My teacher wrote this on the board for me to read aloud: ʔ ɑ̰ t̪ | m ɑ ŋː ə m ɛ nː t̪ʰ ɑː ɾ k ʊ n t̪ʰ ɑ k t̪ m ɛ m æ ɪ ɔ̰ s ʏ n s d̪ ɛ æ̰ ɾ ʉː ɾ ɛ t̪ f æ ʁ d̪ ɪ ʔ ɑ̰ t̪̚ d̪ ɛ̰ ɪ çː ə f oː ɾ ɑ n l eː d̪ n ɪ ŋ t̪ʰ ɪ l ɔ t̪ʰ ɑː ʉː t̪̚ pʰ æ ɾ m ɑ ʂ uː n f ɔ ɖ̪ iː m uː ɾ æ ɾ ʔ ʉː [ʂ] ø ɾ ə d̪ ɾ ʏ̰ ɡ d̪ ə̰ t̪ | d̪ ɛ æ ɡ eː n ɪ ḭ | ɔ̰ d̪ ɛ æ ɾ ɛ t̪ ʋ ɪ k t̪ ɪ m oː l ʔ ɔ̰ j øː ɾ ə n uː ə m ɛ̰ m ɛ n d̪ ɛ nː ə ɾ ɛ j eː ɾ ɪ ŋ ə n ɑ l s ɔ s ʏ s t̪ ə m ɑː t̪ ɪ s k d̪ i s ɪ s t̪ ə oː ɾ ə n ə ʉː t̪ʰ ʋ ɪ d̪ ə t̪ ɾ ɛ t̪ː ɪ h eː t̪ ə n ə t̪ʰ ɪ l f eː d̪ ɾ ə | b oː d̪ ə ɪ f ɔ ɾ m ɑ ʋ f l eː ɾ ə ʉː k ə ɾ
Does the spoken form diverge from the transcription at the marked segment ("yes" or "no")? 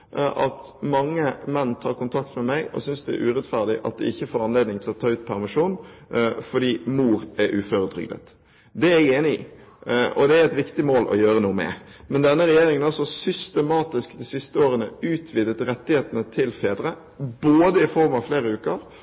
yes